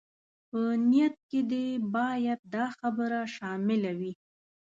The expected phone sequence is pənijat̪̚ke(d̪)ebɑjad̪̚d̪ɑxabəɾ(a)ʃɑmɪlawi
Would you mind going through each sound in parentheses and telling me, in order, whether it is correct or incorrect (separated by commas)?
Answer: correct, correct